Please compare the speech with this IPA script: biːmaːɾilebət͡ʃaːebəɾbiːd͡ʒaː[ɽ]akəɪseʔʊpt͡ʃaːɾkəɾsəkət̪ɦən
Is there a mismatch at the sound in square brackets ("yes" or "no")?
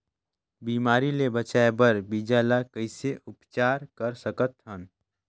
yes